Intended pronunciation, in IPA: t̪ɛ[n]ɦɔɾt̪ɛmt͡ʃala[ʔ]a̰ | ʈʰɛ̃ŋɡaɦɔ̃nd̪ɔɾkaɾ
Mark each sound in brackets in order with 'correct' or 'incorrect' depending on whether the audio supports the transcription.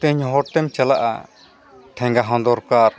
incorrect: ɲ, correct

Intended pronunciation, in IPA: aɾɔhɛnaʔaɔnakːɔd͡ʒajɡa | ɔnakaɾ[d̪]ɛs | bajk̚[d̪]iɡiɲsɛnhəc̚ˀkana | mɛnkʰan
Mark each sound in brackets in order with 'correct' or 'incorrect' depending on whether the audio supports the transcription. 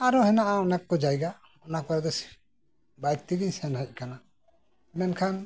correct, incorrect: t̪

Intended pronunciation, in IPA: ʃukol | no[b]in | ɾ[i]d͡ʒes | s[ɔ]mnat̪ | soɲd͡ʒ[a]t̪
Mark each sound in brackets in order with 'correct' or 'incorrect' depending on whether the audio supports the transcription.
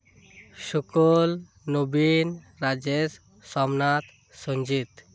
correct, incorrect: a, correct, incorrect: i

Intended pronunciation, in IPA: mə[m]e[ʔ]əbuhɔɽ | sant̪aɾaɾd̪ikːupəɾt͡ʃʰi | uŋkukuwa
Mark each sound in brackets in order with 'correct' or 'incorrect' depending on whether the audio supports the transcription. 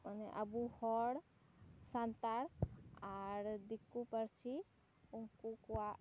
incorrect: n, correct

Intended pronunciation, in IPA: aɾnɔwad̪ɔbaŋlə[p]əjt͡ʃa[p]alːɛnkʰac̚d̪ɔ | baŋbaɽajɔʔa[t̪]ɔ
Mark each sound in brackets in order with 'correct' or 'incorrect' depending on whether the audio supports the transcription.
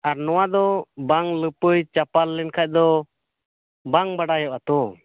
correct, correct, correct

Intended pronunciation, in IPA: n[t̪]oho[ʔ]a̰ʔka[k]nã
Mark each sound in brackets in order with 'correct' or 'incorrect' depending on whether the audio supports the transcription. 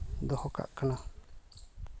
incorrect: d̪, incorrect: k, incorrect: none

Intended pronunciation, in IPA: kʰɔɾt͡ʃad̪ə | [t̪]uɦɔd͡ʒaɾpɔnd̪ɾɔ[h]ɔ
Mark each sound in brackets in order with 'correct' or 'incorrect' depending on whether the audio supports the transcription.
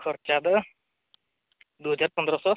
incorrect: d̪, incorrect: s

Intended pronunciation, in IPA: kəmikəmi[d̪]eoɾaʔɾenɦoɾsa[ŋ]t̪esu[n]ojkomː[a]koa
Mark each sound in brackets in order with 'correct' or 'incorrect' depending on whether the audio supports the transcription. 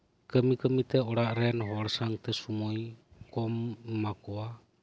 incorrect: t̪, correct, incorrect: m, correct

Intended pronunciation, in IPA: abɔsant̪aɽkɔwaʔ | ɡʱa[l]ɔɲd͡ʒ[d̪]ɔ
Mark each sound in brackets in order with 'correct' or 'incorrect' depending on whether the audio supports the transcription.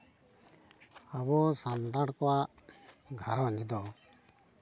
incorrect: ɾ, correct

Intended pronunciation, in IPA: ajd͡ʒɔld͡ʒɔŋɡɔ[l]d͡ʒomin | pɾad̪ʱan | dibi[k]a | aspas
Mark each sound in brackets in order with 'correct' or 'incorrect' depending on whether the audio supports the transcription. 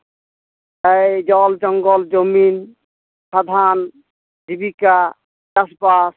correct, correct

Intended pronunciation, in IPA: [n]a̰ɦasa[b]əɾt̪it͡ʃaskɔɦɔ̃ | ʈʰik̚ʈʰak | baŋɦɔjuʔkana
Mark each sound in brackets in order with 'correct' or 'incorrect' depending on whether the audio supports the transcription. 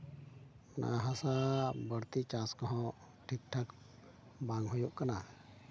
correct, correct

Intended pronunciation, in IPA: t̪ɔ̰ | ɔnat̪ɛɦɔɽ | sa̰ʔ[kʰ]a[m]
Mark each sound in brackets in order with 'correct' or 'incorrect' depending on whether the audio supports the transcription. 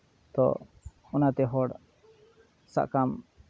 incorrect: k, correct

